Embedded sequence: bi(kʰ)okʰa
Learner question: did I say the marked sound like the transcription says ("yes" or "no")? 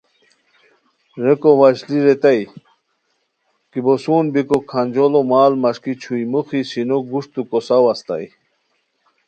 no